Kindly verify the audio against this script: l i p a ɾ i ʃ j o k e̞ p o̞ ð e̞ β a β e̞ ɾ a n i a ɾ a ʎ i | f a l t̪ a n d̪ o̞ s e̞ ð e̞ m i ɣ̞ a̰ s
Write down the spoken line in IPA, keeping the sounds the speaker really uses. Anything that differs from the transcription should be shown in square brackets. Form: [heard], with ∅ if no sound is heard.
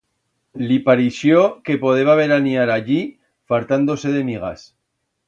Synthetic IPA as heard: l i p a ɾ i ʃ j o k e̞ p o̞ ð e̞ β a β e̞ ɾ a n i a ɾ a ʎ i | f a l t̪ a n d̪ o̞ s e̞ ð e̞ m i ɣ̞ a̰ s

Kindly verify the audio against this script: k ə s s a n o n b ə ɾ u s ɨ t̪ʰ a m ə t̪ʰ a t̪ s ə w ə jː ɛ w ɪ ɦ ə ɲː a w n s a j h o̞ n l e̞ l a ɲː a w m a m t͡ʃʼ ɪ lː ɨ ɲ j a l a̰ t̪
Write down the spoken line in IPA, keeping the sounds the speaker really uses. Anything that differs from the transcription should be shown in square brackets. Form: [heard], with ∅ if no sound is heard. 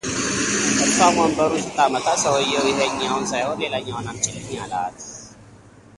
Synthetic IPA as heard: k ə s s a [m] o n b ə ɾ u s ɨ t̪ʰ a m ə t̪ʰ a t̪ s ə w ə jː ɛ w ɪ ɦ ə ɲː a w n s a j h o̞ n l e̞ l a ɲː a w [n] a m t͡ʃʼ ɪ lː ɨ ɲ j a l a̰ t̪

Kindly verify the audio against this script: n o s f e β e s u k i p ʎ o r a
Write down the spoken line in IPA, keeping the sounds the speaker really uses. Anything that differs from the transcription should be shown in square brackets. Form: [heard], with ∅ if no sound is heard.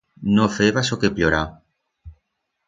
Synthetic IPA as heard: n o [∅] f e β [a] s [o] k [e] p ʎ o [ɾ] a

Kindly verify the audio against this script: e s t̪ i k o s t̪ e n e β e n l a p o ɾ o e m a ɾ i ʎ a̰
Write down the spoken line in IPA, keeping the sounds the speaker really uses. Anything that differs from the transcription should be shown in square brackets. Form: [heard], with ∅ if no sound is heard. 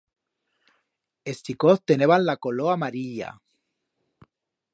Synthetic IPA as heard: e s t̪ i k o [θ] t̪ e n e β [a] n l a [k] o [l] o [a] m a ɾ i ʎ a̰

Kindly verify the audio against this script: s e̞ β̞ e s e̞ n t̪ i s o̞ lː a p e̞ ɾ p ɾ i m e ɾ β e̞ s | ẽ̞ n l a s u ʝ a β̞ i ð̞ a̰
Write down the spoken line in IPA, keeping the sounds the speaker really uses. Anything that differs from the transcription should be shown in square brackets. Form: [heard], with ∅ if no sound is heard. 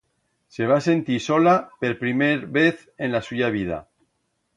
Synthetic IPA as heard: s e̞ β̞ [a] s e̞ n t̪ i s o̞ [l] a p e̞ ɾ p ɾ i m e ɾ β e̞ [θ] | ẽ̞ n l a s u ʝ a β̞ i ð̞ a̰

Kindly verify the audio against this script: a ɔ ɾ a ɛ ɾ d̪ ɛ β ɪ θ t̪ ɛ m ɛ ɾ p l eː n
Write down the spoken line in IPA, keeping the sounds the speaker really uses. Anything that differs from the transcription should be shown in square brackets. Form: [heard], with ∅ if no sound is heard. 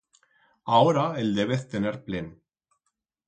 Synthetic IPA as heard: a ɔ ɾ a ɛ [l] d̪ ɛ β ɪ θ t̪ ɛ [n] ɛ ɾ p l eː n

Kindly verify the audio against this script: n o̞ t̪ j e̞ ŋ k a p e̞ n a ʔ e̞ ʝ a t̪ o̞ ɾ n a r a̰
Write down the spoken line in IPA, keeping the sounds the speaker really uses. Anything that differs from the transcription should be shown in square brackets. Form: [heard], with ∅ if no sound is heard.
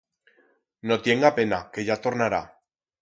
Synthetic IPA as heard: n o̞ t̪ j e̞ ŋ [ɡ] a p e̞ n a [k] e̞ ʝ a t̪ o̞ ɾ n a [ɾ] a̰

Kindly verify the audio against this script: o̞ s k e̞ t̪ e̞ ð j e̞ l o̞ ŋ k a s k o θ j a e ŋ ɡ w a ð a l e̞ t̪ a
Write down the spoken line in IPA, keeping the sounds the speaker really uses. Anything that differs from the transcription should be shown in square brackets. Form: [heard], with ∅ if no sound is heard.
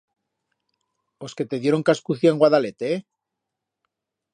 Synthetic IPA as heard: o̞ s k e̞ t̪ e̞ ð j e̞ [ɾ] o̞ ŋ k a s k [u] θ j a e ŋ ɡ w a ð a l e̞ t̪ [e]

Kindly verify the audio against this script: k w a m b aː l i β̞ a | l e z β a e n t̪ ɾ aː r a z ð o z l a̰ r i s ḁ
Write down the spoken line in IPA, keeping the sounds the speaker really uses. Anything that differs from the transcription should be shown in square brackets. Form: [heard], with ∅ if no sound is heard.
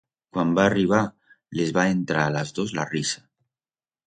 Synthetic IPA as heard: k w a m b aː [r] i β̞ a | l e z β a e n t̪ ɾ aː [l] a z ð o z l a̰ r i s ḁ

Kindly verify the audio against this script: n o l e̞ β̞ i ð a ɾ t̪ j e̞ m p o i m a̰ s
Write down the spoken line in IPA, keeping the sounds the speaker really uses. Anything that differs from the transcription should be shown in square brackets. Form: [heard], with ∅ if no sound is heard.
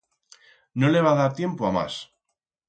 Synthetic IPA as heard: n o l e̞ β̞ [a] ð a ɾ t̪ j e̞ m p o [a] m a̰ s

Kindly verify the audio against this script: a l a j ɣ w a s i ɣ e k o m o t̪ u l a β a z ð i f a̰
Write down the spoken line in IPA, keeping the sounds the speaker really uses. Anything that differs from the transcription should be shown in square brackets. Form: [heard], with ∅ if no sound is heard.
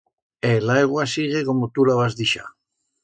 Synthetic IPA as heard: [e] l a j ɣ w a s i ɣ e k o m o t̪ u l a β a z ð i [ʃ] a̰

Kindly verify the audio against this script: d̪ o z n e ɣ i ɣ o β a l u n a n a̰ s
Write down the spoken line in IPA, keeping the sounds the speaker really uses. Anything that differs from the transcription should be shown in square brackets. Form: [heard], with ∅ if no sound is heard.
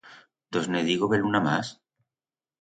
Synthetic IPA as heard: d̪ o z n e [ð] i ɣ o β [e] l u n a [m] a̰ s

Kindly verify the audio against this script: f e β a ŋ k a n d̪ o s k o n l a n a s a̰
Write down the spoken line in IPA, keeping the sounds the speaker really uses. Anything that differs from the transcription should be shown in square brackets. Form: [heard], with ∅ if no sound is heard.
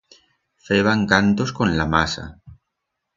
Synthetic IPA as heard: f e β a ŋ k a n [t̪] o s k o n l a [m] a s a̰

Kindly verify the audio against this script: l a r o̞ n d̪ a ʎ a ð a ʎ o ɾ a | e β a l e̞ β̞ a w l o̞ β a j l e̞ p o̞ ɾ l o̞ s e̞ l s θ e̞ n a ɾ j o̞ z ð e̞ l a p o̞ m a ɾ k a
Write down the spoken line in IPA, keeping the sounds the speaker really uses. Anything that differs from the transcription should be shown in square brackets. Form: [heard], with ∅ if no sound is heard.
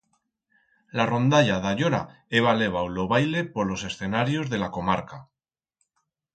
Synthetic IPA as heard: l a r o̞ n d̪ a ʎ a ð a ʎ o ɾ a | e β a l e̞ β̞ a w l o̞ β a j l e̞ p o̞ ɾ l o̞ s e̞ [∅] s θ e̞ n a ɾ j o̞ z ð e̞ l a [k] o̞ m a ɾ k a

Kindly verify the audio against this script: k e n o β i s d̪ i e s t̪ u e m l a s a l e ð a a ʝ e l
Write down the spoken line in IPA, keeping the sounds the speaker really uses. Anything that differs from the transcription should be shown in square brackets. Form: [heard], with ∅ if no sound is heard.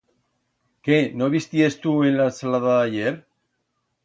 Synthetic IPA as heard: k e n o β i s [t̪] i e s t̪ u e [n] l a s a l [a] ð a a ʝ e [ɾ]

